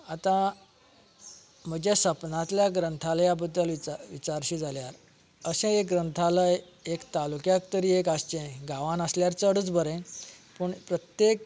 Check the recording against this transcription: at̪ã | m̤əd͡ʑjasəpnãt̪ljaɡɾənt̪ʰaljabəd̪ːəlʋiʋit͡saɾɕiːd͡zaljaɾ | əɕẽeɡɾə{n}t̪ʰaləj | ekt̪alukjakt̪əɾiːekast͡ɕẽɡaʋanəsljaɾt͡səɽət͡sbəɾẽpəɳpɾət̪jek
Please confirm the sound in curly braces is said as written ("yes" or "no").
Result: yes